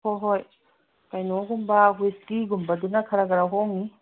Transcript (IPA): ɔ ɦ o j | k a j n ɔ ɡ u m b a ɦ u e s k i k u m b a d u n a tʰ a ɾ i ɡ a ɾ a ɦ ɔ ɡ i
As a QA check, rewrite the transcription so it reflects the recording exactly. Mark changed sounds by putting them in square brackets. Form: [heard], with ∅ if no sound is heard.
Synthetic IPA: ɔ ɦ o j | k a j n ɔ ɡ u m b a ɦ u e s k i [ɡ] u m b a d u n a [kʰ] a ɾ [a] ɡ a ɾ a ɦ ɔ [ŋ] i